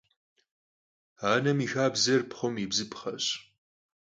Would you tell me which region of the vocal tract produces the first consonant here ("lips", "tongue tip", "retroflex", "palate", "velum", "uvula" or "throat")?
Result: tongue tip